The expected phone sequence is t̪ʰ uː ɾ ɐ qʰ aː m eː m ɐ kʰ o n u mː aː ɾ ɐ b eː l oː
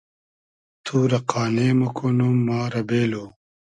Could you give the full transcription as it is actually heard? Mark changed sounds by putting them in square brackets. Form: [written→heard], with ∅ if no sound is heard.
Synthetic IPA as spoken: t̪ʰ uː ɾ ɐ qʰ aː [m→n] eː m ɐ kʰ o n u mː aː ɾ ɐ b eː l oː